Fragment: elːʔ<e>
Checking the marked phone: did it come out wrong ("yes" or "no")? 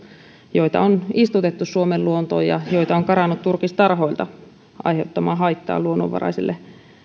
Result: no